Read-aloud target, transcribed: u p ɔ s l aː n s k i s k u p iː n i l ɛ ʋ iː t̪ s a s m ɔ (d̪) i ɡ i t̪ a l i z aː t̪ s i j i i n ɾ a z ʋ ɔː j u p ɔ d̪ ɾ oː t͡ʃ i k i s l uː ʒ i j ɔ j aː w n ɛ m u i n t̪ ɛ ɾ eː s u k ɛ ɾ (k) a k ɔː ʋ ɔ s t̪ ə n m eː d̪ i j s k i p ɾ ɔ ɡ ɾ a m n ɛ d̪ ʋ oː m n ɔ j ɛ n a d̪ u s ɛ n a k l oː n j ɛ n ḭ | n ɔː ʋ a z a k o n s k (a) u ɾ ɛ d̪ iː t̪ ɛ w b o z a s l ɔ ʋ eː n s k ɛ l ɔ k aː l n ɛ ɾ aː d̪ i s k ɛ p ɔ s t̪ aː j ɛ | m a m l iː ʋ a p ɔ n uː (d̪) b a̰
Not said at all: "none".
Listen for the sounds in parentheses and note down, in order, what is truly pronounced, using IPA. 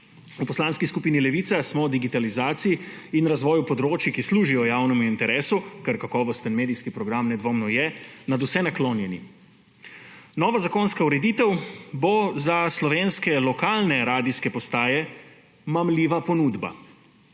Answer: d̪, k, a, d̪

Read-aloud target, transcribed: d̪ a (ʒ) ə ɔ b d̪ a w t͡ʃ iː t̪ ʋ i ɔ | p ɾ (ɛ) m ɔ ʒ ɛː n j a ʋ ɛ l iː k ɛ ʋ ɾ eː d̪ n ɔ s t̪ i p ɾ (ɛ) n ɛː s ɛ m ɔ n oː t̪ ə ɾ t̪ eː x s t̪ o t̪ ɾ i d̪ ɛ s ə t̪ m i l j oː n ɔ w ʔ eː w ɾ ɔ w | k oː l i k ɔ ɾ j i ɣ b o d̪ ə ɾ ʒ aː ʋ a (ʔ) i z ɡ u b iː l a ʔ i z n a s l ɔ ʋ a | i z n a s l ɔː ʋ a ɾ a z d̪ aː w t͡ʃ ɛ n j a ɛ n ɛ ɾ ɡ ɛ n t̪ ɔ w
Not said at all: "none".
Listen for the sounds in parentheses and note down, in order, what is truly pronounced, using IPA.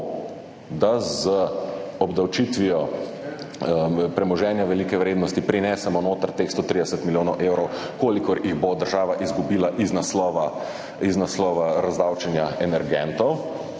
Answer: z, ɛ, i, ʔ

